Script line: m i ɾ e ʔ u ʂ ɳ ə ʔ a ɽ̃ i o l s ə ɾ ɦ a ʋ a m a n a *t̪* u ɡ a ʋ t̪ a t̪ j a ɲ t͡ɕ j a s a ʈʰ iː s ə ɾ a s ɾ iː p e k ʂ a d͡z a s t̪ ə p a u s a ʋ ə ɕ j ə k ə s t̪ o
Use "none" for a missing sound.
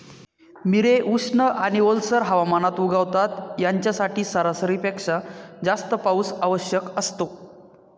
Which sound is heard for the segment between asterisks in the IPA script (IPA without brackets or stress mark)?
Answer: t̪